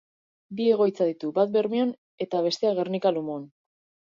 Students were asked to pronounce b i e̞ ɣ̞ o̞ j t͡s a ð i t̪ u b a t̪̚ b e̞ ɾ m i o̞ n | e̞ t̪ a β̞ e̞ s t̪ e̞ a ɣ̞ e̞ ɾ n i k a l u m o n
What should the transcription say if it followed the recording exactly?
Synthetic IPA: b i e̞ ɣ̞ o̞ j t͡s a ð i t̪ u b a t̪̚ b e̞ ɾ m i o̞ n | e̞ t̪ a β̞ e̞ s t̪ e̞ a ɣ̞ e̞ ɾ n i k a l u m o n